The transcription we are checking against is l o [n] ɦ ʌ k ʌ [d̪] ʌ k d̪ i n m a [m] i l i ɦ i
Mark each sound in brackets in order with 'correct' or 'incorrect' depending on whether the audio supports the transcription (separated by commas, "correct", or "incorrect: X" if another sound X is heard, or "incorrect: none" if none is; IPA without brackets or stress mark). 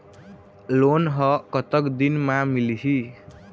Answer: correct, incorrect: t̪, correct